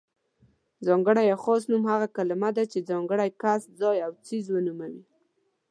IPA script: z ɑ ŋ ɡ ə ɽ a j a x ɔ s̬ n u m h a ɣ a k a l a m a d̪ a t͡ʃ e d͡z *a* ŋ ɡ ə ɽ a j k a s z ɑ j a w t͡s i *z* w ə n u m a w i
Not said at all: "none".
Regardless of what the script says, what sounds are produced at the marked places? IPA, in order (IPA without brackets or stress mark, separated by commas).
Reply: ɑ, z